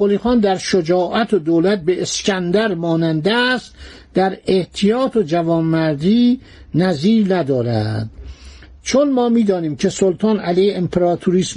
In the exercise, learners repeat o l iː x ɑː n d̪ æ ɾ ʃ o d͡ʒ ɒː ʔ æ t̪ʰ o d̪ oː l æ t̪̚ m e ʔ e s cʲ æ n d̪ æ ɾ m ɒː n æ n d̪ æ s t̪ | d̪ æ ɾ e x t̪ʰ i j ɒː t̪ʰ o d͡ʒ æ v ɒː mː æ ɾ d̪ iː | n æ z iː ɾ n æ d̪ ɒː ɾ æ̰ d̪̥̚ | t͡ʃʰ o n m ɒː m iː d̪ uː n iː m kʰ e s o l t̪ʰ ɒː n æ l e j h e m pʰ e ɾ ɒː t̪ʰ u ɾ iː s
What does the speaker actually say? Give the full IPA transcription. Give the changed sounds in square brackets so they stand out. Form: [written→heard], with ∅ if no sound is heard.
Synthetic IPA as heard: o l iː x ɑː n d̪ æ ɾ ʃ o d͡ʒ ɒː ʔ æ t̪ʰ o d̪ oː l æ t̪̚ [m→b] e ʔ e s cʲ æ n d̪ æ ɾ m ɒː n æ n d̪ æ s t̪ | d̪ æ ɾ e [x→h] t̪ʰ i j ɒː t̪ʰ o d͡ʒ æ v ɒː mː æ ɾ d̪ iː | n æ z iː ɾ n æ d̪ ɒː ɾ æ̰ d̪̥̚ | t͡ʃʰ o n m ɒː m iː d̪ [uː→ɒː] n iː m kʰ e s o l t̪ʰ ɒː n æ l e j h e m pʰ e ɾ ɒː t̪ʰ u ɾ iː s